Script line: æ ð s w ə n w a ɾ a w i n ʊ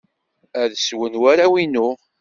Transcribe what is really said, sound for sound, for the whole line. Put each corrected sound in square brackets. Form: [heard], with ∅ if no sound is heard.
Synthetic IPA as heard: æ ð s w ə n w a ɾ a w i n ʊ